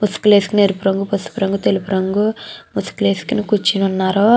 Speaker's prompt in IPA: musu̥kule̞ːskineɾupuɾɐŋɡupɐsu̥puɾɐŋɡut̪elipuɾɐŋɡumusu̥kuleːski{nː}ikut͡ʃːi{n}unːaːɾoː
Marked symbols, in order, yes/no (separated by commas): no, yes